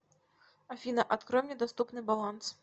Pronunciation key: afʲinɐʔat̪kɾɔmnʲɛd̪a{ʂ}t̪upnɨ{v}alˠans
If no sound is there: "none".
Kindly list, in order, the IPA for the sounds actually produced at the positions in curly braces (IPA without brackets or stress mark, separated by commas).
s, b